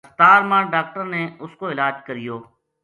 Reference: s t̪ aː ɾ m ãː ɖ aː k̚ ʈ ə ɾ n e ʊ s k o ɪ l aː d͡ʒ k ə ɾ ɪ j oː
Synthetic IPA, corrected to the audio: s t̪ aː ɾ m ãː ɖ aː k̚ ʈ ə ɾ n e ʊ s k o ɪ l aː d͡ʒ k ə ɾ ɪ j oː